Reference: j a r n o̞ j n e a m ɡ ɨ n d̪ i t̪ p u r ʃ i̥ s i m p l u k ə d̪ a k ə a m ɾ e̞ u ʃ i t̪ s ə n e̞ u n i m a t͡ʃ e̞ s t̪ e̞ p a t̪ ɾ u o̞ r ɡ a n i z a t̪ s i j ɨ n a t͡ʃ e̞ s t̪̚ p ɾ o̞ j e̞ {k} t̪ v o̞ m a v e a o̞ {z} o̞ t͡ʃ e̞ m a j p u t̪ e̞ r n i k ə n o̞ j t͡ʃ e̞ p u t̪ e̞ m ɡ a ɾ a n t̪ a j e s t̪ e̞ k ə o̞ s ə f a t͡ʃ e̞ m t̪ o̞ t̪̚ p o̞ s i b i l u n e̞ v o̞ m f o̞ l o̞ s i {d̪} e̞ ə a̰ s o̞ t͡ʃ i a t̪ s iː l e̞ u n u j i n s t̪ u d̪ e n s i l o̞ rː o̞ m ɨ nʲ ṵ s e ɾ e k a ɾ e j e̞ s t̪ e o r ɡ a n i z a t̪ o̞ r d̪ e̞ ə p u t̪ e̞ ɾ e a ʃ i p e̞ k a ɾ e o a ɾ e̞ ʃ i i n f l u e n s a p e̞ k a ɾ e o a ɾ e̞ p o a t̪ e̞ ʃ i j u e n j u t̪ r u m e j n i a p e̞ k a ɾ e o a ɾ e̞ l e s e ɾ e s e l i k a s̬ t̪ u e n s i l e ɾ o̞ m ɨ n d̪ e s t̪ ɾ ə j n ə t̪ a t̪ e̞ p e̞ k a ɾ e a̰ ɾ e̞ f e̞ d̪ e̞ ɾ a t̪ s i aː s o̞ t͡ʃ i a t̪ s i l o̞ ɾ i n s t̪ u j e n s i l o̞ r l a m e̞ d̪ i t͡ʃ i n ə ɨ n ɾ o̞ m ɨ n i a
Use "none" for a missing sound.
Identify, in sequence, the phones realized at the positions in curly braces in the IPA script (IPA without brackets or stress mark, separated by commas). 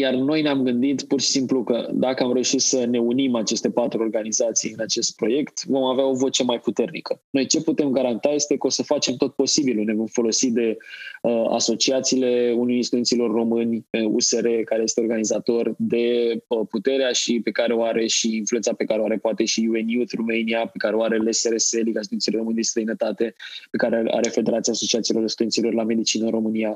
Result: k, v, d̪